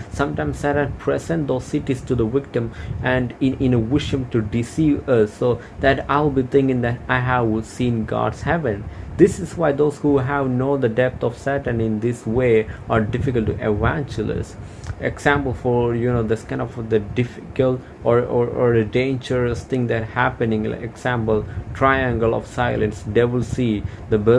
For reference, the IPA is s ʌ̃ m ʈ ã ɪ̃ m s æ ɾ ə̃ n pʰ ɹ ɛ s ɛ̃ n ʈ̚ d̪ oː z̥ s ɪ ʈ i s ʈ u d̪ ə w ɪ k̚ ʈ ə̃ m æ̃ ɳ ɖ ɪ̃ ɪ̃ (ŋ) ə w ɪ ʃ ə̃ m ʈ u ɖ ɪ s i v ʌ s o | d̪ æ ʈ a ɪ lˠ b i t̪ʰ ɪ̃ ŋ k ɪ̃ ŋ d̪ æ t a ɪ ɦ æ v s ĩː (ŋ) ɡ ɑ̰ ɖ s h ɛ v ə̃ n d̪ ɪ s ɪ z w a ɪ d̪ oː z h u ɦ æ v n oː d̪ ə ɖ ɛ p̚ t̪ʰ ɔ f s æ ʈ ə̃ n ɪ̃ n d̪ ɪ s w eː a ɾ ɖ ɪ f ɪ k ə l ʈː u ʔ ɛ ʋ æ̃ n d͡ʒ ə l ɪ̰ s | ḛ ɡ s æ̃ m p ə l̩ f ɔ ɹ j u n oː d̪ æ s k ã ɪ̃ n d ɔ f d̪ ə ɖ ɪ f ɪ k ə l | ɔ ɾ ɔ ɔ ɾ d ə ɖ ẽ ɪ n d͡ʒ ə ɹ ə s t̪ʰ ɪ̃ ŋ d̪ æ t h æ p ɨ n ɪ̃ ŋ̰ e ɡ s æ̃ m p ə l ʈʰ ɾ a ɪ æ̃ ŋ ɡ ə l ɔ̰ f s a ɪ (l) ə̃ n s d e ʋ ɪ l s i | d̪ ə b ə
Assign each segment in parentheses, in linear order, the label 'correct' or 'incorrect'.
incorrect: n, incorrect: n, correct

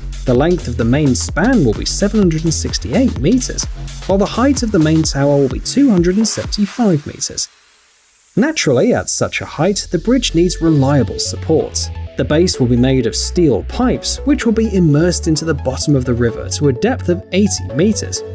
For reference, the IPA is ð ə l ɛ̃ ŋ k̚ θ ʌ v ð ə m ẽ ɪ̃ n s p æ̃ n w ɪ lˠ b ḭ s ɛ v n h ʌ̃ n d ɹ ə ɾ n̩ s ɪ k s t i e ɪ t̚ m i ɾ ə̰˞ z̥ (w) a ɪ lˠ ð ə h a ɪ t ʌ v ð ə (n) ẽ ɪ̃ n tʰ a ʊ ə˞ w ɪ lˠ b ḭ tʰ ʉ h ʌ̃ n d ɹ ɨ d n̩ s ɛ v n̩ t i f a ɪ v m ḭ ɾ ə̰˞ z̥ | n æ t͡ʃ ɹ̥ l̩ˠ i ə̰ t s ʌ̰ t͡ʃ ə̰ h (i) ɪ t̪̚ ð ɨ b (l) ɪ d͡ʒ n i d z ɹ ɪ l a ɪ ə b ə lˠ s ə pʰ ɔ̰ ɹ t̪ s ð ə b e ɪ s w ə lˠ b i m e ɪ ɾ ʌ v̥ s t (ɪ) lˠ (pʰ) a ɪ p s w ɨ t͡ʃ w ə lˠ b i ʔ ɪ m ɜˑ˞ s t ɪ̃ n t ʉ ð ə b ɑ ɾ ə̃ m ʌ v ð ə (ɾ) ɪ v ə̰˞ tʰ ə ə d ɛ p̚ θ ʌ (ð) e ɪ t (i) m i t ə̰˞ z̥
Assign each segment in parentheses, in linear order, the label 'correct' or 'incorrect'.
correct, incorrect: m, incorrect: a, incorrect: ɹ, incorrect: i, correct, incorrect: ɹ, incorrect: v, correct

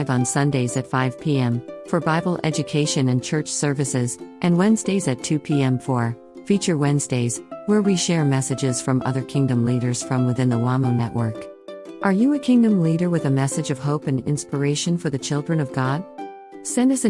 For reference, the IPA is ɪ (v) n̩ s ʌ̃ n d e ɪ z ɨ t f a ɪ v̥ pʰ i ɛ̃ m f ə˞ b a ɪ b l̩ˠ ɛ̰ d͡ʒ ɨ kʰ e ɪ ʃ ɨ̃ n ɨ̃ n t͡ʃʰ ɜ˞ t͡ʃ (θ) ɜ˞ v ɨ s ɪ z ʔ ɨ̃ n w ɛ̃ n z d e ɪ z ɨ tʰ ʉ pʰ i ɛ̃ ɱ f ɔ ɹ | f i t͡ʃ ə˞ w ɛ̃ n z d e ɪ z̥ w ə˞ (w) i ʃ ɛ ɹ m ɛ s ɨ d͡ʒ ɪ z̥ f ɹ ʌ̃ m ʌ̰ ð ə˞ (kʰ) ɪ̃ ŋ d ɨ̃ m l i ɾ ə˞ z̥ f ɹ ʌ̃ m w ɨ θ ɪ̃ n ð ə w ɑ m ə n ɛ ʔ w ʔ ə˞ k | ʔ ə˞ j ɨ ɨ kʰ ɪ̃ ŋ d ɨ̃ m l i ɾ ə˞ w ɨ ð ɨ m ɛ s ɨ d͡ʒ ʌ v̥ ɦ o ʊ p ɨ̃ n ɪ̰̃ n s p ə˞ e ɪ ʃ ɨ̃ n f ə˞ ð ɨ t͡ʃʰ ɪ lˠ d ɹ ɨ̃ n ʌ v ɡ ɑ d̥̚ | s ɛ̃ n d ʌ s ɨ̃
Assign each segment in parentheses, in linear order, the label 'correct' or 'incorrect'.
correct, incorrect: s, correct, correct

